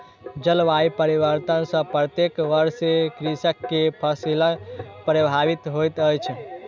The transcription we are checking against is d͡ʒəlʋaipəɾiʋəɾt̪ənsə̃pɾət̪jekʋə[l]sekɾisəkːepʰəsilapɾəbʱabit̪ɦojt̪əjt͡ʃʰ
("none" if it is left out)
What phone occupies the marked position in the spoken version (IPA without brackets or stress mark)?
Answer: ɾ